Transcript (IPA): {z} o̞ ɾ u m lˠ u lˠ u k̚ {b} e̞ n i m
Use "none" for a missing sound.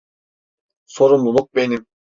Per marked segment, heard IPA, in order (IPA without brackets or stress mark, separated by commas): s, b